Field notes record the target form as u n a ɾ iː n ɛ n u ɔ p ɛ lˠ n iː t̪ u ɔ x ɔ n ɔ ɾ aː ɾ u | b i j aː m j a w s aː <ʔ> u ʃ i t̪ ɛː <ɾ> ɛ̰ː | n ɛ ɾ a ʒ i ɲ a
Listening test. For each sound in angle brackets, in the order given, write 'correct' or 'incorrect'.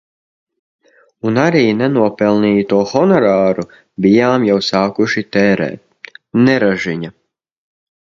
incorrect, correct

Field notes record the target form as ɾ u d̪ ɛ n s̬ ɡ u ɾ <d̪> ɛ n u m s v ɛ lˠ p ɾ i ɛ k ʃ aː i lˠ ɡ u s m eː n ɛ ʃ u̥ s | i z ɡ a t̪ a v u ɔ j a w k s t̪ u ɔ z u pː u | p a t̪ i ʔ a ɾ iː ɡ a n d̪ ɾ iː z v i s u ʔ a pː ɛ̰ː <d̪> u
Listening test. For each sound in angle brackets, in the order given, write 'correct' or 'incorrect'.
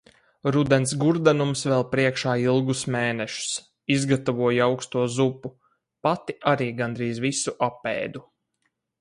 correct, correct

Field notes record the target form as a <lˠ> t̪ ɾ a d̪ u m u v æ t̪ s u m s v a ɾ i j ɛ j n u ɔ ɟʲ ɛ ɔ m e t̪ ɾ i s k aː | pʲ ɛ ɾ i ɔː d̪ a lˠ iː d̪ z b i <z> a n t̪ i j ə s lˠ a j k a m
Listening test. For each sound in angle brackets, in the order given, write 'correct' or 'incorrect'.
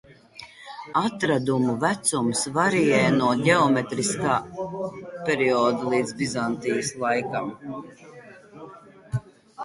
incorrect, correct

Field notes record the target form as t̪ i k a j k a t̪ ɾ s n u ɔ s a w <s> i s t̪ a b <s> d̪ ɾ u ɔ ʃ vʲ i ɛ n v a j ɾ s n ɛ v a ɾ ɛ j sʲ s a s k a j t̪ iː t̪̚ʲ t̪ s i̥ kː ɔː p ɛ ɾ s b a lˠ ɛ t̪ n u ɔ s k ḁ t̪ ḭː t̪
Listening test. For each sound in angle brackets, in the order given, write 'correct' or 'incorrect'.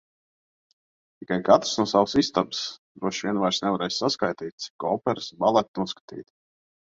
correct, correct

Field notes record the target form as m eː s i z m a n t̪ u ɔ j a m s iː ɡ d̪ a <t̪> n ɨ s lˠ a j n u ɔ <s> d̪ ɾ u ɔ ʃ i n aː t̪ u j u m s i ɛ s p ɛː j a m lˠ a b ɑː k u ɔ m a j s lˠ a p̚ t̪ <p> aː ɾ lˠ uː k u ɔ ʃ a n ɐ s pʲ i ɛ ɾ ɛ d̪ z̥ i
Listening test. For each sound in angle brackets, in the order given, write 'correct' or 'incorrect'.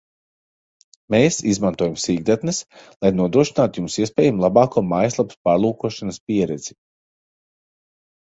correct, incorrect, correct

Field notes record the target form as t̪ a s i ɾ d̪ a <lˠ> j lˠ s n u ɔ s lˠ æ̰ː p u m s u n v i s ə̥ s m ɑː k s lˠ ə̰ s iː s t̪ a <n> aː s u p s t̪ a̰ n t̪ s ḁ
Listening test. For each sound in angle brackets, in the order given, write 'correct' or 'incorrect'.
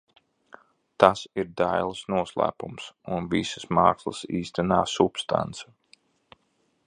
incorrect, correct

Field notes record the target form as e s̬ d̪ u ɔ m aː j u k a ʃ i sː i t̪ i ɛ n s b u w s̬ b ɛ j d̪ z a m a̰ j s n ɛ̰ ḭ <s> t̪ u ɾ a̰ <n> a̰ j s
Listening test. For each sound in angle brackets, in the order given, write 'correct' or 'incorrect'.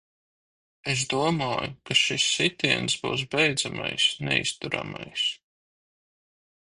correct, incorrect

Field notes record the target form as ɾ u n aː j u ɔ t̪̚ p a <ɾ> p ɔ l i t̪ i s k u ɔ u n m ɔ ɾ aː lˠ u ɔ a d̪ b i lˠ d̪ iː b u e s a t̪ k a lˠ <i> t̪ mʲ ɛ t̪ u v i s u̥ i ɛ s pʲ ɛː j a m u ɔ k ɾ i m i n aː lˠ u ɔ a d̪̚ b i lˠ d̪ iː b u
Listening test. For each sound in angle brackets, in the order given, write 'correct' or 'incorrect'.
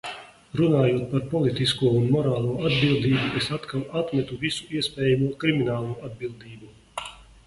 correct, incorrect

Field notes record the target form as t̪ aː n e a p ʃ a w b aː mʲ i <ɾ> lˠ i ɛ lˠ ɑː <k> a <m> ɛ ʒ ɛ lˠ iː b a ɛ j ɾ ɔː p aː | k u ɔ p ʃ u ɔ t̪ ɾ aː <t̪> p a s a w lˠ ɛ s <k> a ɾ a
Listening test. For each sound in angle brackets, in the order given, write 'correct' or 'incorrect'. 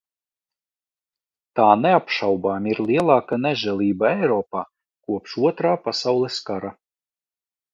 correct, correct, incorrect, incorrect, correct

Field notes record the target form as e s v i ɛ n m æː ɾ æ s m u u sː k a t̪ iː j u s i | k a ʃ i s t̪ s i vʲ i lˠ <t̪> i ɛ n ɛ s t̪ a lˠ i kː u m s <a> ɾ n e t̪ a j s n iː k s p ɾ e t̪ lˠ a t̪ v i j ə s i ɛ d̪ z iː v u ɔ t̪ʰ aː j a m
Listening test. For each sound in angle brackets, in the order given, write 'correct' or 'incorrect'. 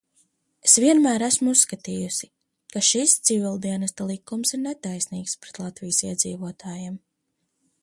incorrect, incorrect

